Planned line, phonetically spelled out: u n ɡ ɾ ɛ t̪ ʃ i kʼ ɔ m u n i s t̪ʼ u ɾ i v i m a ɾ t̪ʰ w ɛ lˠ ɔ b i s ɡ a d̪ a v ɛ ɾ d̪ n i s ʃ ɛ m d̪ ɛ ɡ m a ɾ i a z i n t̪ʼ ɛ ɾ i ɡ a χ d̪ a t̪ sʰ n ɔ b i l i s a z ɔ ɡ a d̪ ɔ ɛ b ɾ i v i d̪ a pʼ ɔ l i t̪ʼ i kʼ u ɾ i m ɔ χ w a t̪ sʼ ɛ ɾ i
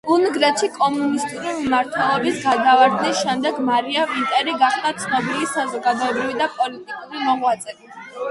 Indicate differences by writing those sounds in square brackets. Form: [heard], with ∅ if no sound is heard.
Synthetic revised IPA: u n ɡ ɾ ɛ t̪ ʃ i kʼ ɔ m u n i s t̪ʼ u ɾ i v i m a ɾ t̪ʰ w ɛ lˠ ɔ b i s ɡ a d̪ a v [a] ɾ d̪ n i s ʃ ɛ m d̪ ɛ ɡ m a ɾ i a [v] i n t̪ʼ ɛ ɾ i ɡ a χ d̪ a t̪ sʰ n ɔ b i l i s a z ɔ ɡ a d̪ ɔ ɛ b ɾ i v i d̪ a pʼ ɔ l i t̪ʼ i kʼ u ɾ i m ɔ [ʁ] w a t̪ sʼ ɛ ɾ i